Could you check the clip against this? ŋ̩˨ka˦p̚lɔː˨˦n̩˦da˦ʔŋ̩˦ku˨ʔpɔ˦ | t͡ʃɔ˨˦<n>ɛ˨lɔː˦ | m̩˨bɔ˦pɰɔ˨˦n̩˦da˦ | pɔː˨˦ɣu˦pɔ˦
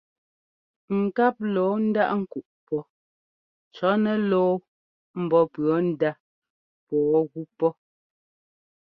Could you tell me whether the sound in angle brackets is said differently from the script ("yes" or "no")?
no